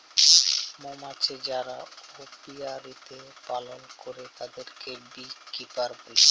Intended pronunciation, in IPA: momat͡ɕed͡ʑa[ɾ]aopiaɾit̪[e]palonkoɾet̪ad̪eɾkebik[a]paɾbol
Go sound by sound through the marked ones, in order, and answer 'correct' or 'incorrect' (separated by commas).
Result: correct, correct, incorrect